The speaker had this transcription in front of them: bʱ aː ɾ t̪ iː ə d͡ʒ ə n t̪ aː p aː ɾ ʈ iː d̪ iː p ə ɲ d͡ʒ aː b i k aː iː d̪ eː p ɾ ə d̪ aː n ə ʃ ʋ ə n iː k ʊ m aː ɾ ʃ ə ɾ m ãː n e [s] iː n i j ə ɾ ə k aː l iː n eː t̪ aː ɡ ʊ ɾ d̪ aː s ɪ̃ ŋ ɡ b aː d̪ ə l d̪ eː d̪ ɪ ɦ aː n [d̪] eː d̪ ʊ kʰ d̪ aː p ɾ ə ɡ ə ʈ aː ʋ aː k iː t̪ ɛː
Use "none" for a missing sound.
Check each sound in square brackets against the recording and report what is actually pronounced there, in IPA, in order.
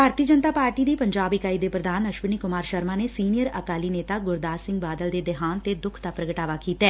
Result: s, t̪

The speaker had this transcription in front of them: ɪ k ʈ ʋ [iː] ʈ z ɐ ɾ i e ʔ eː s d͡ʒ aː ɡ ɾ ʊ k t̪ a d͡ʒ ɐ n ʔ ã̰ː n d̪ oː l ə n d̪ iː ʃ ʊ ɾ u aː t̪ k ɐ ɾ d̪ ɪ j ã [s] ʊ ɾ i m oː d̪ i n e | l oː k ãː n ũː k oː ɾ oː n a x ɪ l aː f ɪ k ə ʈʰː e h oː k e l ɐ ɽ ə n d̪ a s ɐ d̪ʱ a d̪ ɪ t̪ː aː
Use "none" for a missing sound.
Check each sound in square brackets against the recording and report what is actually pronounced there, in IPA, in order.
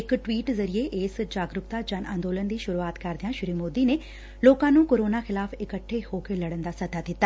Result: iː, ʃ

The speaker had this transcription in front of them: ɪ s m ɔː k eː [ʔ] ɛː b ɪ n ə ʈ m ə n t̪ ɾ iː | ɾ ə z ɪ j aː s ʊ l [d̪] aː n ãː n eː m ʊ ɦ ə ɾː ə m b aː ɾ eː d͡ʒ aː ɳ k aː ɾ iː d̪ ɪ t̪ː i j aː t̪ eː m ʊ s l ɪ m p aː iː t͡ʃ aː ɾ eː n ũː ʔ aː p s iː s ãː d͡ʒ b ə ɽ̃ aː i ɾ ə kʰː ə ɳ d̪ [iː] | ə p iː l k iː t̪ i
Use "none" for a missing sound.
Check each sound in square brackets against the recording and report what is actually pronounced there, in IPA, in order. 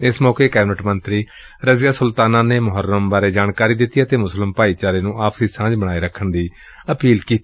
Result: k, t̪, iː

